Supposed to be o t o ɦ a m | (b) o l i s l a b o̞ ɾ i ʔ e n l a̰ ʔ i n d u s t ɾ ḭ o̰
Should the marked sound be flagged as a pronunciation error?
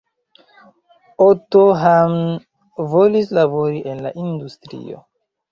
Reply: yes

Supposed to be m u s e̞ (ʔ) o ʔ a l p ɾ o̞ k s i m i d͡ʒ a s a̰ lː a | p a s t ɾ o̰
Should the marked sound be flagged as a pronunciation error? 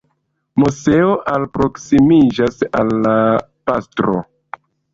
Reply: yes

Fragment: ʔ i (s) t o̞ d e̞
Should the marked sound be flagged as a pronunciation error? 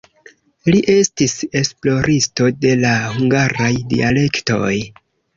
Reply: no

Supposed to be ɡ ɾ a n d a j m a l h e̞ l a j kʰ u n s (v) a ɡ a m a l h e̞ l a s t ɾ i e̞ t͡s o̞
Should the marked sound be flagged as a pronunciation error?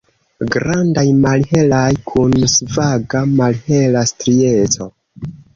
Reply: no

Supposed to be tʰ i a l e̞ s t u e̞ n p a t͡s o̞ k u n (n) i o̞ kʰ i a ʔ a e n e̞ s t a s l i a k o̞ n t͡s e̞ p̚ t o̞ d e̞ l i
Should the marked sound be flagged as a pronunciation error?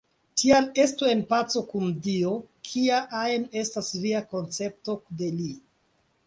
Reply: yes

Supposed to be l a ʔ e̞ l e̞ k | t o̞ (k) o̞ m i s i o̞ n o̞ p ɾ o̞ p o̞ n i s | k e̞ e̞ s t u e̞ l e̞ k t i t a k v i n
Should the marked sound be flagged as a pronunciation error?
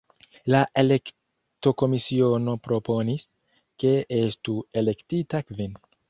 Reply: no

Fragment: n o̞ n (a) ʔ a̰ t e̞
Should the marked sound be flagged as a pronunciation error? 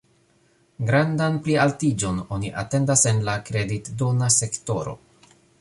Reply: yes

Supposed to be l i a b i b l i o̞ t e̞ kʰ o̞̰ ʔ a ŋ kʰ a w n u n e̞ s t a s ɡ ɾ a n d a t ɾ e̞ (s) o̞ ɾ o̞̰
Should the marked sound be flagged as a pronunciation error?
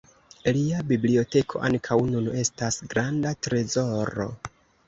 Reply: yes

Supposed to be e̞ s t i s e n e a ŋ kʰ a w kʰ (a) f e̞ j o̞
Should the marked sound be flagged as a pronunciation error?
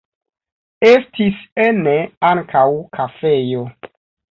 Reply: no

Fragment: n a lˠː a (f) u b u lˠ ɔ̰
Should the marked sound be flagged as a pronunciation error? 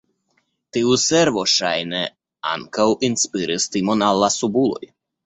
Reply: yes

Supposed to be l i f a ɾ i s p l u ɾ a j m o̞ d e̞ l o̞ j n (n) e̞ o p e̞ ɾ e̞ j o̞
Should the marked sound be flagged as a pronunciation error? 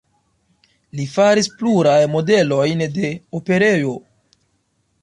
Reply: yes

